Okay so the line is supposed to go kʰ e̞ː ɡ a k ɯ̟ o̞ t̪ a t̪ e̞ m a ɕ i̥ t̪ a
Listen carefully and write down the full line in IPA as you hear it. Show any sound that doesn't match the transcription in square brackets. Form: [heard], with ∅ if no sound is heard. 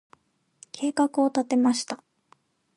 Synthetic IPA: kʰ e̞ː [k] a k ɯ̟ o̞ t̪ a t̪ e̞ m a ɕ i̥ t̪ a